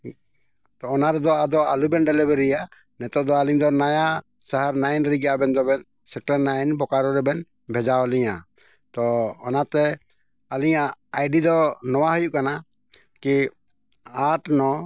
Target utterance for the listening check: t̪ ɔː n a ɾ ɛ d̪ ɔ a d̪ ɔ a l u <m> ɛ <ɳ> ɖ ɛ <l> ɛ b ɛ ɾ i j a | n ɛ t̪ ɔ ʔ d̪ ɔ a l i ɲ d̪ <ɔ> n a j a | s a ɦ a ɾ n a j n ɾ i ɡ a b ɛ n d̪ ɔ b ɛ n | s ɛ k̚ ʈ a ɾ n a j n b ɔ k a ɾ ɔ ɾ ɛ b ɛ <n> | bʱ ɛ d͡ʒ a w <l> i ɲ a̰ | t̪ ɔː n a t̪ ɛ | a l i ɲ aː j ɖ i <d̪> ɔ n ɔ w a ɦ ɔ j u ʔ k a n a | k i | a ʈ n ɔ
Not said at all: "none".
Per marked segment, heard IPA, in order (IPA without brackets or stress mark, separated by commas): b, n, l, ɔ, n, l, d̪